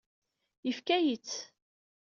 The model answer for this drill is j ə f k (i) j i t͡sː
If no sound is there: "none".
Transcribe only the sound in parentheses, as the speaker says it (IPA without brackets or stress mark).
æ